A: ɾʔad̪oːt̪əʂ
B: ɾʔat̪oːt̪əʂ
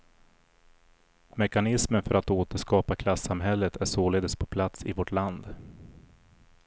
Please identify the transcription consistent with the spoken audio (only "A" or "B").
B